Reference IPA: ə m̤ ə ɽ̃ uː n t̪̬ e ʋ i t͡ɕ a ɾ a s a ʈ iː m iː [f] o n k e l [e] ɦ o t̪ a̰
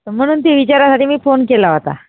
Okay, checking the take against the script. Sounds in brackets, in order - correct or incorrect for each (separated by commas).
correct, incorrect